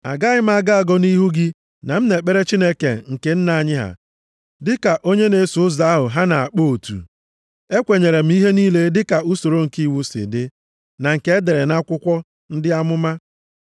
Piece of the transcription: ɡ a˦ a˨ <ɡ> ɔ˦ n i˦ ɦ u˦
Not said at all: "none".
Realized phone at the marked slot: ɡ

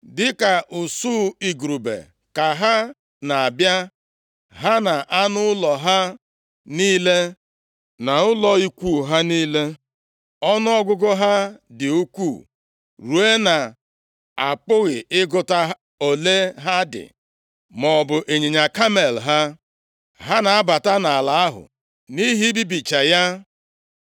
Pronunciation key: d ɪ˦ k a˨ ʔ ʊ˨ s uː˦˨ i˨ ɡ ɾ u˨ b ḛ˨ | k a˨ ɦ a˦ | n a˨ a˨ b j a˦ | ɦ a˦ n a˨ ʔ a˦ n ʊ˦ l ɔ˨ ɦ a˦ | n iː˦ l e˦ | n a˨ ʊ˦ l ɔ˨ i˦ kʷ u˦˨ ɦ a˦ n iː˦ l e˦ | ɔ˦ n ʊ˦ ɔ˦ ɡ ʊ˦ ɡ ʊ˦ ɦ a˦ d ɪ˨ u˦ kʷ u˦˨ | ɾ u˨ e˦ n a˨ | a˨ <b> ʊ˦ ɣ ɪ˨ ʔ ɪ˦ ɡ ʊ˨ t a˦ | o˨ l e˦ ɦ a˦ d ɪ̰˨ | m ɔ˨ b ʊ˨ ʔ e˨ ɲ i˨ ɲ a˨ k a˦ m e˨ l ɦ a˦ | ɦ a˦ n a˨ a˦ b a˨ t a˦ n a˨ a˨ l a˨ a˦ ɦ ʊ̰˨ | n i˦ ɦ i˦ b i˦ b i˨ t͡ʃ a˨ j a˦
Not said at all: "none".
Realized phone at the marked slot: p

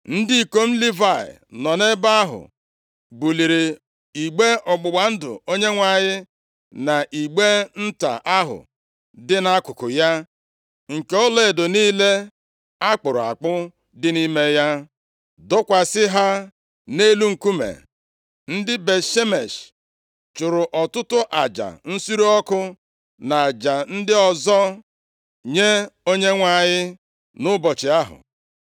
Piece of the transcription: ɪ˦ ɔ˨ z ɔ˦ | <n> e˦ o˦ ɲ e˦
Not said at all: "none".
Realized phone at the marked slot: ɲ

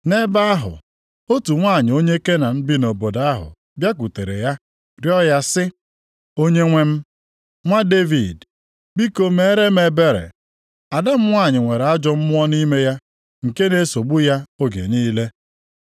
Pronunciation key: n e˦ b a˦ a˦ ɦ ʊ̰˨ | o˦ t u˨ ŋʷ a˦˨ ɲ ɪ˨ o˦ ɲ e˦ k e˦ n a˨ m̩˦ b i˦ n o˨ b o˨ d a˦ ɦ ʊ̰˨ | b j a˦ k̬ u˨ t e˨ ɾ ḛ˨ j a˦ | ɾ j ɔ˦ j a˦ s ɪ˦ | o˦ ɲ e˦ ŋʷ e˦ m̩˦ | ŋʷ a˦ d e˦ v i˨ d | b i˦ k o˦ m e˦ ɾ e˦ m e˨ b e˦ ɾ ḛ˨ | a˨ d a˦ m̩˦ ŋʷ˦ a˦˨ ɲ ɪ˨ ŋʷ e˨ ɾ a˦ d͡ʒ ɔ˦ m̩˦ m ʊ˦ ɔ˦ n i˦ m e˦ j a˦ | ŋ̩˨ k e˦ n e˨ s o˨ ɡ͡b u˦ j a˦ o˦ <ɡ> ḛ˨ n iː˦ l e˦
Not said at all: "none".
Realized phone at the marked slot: ɡ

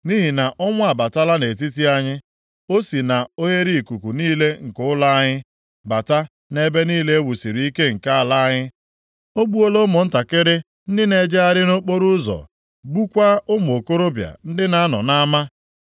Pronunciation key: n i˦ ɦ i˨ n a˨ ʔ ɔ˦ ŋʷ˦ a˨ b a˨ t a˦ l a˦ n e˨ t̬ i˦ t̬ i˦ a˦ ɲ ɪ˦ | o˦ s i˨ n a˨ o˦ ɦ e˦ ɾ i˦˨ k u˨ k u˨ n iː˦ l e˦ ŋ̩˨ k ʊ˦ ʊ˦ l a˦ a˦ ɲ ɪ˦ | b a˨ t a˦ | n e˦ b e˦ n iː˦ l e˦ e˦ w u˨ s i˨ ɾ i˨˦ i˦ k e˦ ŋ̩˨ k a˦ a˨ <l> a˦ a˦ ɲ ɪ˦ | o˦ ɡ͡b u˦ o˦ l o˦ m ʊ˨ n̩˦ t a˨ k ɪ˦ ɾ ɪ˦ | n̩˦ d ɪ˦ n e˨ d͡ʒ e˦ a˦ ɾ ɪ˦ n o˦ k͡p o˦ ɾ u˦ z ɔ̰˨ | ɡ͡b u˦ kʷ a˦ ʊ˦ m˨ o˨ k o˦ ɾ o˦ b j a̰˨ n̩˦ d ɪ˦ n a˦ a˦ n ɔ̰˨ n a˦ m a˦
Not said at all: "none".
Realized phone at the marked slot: l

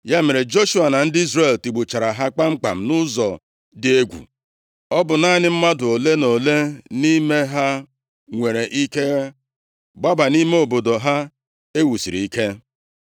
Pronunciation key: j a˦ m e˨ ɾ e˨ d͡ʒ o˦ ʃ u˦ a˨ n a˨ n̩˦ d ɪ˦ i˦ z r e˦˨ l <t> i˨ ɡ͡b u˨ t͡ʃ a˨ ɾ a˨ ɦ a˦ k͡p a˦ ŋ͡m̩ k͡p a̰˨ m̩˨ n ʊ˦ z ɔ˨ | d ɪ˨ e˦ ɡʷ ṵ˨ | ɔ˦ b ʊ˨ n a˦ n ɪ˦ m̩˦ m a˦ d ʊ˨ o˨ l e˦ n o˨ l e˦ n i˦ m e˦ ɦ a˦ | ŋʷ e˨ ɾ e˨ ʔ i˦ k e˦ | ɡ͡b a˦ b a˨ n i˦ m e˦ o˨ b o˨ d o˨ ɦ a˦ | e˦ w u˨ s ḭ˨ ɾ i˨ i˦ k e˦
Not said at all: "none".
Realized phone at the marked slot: t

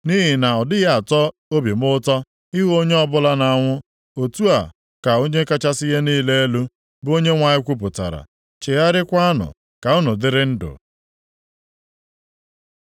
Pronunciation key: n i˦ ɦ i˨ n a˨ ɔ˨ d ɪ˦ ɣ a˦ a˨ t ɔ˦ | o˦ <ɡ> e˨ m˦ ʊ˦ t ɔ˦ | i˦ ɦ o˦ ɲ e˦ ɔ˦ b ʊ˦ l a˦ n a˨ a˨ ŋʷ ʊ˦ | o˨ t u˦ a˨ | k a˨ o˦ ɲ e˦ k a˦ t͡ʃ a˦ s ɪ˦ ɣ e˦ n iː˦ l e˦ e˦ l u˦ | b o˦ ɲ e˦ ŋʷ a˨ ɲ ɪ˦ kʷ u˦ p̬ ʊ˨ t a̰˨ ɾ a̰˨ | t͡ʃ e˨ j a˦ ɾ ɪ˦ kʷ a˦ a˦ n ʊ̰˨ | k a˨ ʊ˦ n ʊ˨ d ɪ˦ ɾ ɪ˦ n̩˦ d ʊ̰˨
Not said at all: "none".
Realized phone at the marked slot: b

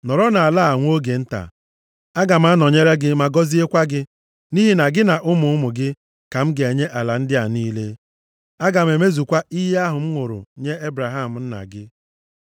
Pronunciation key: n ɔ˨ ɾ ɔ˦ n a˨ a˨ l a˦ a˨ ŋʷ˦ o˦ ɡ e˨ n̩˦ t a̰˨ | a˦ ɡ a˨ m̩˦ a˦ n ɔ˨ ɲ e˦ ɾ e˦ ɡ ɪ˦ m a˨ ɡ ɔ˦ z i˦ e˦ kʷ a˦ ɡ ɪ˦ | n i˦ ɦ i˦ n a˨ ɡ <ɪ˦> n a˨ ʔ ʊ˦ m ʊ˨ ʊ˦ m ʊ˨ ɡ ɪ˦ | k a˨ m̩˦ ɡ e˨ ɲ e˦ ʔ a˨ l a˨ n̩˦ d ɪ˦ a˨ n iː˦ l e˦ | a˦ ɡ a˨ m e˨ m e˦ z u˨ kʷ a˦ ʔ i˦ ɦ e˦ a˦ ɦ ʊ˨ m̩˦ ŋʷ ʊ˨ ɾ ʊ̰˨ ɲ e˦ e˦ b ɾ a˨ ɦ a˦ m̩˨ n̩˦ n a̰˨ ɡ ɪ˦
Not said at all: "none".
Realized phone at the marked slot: ɪ˦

